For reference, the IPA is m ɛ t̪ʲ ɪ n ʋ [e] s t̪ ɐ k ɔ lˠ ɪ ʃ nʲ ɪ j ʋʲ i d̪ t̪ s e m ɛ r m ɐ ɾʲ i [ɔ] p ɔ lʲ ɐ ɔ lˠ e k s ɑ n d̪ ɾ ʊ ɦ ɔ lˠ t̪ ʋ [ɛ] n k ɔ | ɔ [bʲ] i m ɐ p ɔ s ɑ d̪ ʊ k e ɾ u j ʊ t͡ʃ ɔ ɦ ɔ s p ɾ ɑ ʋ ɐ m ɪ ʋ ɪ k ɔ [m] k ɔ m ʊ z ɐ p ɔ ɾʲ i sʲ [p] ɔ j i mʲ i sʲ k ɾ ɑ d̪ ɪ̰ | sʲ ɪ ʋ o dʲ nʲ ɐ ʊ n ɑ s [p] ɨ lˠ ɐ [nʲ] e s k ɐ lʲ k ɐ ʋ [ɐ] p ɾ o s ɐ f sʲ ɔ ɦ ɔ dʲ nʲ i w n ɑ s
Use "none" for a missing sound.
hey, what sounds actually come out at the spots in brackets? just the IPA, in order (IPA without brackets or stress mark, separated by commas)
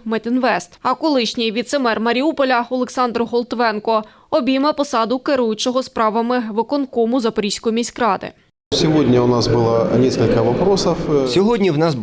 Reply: ɛ, u, ɛ, bʲ, n, k, b, nʲ, ɐ